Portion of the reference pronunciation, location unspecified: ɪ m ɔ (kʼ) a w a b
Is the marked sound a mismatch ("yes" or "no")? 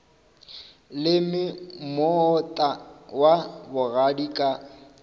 yes